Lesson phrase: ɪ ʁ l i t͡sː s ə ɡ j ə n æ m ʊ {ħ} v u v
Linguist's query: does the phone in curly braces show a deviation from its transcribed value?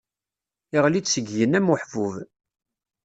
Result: no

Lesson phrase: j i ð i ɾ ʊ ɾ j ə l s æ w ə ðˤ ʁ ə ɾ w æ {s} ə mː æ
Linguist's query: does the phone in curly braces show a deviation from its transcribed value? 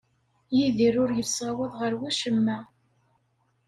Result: yes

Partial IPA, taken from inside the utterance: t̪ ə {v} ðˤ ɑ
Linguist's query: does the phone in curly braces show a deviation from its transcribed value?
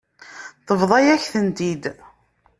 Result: no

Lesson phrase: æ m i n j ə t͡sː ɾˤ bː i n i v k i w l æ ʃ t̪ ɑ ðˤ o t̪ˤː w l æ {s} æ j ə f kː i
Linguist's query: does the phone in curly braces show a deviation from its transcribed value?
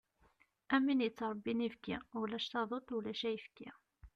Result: yes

